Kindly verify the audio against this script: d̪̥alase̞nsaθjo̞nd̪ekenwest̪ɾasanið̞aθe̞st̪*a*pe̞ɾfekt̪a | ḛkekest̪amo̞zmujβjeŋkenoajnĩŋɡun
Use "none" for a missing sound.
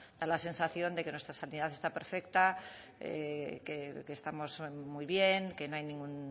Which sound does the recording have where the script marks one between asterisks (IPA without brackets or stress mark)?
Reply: a